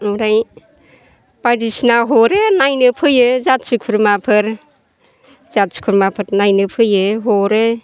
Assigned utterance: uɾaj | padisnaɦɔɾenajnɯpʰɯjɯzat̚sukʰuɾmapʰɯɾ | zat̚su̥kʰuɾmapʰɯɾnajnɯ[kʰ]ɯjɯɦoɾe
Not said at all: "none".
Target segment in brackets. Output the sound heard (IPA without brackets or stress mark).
pʰ